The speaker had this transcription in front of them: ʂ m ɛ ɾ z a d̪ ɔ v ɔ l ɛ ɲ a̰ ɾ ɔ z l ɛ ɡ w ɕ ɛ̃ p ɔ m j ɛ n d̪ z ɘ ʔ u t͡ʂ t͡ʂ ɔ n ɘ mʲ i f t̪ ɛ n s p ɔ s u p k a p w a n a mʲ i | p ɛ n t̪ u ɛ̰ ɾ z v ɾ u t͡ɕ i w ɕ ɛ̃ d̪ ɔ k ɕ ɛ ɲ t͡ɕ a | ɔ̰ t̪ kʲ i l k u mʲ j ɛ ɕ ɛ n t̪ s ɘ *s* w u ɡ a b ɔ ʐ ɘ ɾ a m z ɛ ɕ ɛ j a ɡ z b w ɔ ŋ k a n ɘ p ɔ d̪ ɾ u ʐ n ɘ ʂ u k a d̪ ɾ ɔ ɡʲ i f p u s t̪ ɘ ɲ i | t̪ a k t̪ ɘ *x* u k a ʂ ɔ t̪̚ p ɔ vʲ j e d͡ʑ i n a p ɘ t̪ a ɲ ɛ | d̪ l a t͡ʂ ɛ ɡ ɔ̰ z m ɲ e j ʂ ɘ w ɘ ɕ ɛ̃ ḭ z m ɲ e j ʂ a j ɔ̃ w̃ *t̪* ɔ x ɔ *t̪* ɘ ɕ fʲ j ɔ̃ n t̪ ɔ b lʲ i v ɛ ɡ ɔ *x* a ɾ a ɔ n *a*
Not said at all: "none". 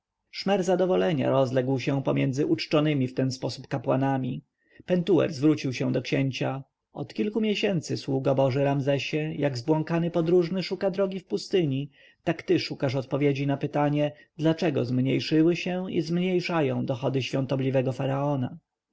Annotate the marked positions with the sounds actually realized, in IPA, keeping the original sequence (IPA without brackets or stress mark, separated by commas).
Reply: s, ʂ, d̪, d̪, f, a